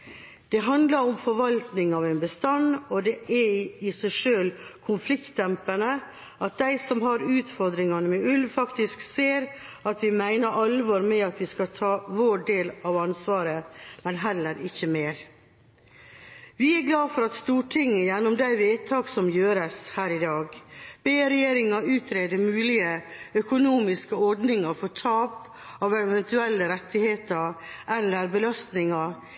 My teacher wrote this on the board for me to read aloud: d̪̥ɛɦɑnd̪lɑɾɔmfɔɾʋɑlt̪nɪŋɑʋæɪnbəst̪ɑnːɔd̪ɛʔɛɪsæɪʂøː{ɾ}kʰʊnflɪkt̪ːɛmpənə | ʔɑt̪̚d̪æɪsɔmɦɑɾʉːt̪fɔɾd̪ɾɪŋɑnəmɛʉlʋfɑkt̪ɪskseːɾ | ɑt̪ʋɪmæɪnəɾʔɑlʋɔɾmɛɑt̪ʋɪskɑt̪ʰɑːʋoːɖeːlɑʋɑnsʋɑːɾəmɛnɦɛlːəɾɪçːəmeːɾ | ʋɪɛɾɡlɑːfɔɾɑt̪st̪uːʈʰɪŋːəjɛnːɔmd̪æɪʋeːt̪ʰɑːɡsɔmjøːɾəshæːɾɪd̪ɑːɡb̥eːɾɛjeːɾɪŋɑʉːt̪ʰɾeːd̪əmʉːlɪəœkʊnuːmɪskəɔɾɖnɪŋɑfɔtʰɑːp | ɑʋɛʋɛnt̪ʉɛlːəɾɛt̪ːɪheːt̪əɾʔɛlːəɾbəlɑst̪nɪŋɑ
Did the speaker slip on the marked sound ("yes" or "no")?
yes